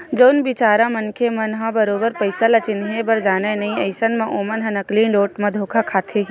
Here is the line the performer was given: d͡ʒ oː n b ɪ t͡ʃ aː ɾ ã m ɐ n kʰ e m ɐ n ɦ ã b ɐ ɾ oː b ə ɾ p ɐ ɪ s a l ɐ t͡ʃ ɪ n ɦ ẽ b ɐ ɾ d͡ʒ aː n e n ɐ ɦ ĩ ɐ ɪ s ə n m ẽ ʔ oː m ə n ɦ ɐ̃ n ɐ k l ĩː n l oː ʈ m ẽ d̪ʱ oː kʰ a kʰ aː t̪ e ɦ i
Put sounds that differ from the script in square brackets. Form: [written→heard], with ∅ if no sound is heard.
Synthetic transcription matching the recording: d͡ʒ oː n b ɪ t͡ʃ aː ɾ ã m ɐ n kʰ e m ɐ n ɦ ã b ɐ ɾ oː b ə ɾ p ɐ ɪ s a l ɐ t͡ʃ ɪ n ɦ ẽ b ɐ ɾ d͡ʒ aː n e n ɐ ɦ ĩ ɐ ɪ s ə n m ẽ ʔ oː m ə n ɦ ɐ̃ n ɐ k l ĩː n l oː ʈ m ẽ d̪ʱ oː kʰ a kʰ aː [t̪→t̪ʰ] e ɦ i